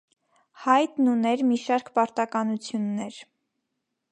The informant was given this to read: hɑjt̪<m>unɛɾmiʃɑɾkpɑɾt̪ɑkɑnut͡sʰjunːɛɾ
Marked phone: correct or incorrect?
incorrect